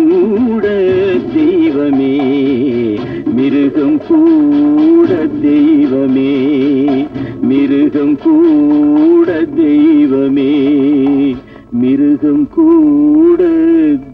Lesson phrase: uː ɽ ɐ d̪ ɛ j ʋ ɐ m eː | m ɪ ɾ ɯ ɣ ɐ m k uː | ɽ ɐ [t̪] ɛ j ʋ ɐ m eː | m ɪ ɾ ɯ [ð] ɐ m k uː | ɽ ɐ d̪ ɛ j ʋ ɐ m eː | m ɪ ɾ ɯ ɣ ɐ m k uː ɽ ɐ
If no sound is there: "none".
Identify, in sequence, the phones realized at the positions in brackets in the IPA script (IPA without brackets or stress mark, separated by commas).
d̪, ɣ